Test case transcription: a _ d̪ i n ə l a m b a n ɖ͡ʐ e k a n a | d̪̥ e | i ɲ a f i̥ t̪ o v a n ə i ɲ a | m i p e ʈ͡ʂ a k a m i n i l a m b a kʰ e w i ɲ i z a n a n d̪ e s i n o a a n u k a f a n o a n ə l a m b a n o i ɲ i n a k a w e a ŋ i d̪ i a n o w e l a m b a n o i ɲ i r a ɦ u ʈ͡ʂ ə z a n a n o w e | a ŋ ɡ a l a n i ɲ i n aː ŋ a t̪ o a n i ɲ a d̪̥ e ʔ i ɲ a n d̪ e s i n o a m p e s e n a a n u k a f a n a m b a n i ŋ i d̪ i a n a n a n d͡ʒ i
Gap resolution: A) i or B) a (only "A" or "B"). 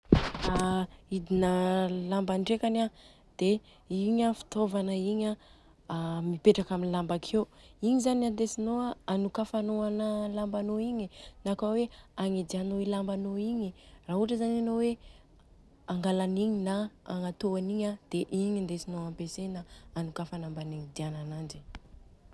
A